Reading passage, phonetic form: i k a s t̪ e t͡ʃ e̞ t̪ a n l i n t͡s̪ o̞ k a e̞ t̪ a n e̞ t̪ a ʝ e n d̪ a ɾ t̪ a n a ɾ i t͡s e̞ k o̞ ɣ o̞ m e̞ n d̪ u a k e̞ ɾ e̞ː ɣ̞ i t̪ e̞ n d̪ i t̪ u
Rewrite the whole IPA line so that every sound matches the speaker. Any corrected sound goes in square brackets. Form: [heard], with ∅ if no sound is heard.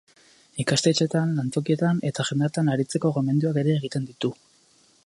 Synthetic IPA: i k a s t̪ e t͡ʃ e̞ t̪ a n l [a] n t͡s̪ o̞ k [i] e̞ t̪ a n e̞ t̪ a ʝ e n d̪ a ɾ t̪ a n a ɾ i t͡s e̞ k o̞ ɣ o̞ m e̞ n d̪ u a k e̞ ɾ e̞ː ɣ̞ i t̪ e̞ n d̪ i t̪ u